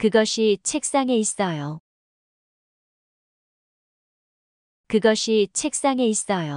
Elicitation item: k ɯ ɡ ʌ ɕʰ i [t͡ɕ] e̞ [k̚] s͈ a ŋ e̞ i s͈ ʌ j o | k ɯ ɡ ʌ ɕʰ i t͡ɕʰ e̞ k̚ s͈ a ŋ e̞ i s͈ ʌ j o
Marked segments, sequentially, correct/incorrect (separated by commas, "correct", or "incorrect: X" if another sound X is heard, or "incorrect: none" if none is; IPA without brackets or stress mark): incorrect: t͡ɕʰ, correct